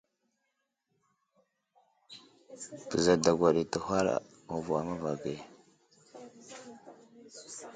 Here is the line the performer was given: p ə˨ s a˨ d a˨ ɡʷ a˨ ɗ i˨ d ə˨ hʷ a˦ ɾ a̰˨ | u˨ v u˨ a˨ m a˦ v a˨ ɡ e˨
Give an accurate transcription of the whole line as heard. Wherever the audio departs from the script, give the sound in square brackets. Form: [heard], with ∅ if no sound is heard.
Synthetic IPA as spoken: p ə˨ [z] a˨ d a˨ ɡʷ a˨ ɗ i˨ [t] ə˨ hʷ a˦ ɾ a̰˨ | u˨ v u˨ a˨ m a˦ v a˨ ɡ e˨